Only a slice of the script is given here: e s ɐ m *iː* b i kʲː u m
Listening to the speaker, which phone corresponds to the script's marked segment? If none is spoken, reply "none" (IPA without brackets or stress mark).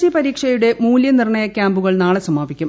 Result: aː